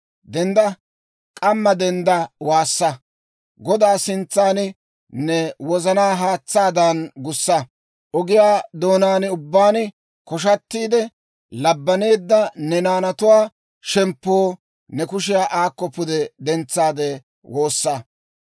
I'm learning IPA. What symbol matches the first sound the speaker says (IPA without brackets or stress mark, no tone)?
d̪